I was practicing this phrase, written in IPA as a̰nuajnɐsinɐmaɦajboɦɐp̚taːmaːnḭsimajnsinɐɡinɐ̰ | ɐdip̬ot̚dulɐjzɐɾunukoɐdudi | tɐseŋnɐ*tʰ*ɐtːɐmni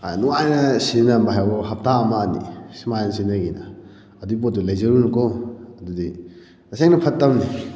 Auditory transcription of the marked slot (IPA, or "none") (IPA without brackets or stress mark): pʰ